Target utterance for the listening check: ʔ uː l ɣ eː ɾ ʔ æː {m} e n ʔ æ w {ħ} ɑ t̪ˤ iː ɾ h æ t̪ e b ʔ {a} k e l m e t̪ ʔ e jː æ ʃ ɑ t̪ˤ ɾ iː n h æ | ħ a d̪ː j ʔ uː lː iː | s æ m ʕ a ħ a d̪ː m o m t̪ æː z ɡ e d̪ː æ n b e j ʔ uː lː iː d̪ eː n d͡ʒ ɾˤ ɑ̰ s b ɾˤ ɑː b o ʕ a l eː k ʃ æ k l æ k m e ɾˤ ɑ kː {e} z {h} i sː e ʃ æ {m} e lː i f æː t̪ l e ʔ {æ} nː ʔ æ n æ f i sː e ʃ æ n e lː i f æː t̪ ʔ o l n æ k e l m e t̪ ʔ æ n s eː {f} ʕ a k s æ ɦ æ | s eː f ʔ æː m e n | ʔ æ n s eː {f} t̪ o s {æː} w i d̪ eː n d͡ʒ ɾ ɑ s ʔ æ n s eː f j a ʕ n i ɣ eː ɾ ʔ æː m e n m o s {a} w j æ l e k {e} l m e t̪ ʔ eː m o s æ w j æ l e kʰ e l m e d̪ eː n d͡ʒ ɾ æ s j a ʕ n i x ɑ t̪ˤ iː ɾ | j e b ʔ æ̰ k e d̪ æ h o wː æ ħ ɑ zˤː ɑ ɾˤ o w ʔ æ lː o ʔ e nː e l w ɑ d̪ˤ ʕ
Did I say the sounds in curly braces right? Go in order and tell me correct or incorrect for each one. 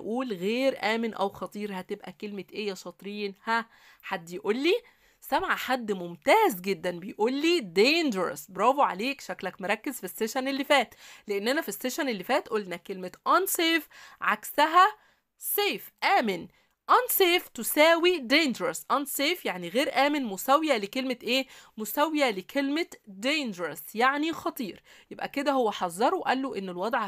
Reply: correct, incorrect: x, incorrect: æ, correct, incorrect: f, incorrect: n, incorrect: e, correct, correct, correct, incorrect: æ, correct

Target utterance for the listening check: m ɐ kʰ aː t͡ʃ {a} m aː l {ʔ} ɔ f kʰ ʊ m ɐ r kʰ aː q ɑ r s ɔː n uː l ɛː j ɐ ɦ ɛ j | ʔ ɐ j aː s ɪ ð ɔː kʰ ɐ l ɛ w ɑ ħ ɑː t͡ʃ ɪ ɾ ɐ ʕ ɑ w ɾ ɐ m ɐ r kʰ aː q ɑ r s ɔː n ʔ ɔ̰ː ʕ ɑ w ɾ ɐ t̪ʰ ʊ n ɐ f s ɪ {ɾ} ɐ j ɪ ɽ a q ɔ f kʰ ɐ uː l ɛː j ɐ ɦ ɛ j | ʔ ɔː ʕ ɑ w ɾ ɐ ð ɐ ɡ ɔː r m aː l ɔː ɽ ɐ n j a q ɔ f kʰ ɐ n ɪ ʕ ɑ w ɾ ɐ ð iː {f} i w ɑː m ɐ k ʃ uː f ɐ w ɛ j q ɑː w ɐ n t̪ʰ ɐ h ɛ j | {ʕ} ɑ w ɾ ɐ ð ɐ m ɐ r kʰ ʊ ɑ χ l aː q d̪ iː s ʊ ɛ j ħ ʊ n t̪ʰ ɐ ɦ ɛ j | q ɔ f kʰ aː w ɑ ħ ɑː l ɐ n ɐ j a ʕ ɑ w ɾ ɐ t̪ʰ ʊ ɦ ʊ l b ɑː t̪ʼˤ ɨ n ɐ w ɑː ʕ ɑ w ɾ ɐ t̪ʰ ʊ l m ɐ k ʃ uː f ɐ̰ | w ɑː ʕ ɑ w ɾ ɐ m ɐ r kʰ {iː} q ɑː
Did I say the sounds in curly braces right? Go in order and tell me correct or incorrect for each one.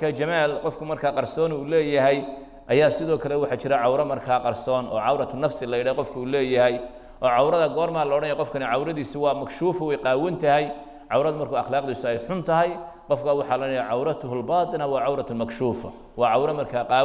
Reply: incorrect: ɐ, incorrect: q, incorrect: l, incorrect: s, correct, incorrect: aː

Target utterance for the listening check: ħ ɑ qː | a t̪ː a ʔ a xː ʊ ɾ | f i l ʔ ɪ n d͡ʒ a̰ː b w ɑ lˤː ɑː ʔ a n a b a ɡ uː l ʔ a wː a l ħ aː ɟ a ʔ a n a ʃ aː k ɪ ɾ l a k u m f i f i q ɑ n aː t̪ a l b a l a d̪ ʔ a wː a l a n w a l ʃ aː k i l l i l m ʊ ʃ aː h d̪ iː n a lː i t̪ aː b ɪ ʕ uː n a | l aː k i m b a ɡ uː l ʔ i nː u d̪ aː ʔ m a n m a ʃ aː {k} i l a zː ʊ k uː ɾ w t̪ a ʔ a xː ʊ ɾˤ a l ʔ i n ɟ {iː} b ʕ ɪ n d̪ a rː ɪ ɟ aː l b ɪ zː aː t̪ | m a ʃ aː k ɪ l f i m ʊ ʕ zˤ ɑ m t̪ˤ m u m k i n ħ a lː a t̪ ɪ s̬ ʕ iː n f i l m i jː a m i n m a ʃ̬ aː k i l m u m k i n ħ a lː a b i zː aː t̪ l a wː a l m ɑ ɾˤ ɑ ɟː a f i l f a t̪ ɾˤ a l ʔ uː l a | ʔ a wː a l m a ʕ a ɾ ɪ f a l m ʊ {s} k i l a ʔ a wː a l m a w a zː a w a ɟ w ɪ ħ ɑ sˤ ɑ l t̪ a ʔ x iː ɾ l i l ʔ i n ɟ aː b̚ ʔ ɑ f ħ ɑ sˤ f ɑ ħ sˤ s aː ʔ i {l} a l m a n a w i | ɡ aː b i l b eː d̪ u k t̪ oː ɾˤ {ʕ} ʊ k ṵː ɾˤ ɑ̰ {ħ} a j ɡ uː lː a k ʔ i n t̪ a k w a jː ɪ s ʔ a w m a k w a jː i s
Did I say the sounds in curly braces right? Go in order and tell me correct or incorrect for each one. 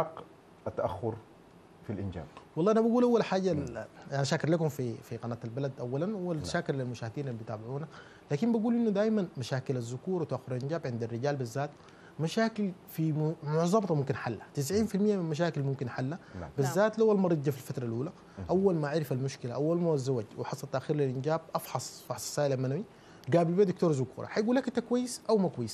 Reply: correct, incorrect: aː, incorrect: ʃ, correct, incorrect: z, correct

